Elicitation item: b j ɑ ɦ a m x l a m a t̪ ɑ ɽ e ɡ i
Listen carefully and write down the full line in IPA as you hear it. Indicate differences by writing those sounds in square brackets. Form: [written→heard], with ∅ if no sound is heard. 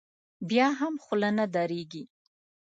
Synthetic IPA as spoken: b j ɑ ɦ a m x l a [m→n] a [t̪→d̪] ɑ [ɽ→ɾ] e ɡ i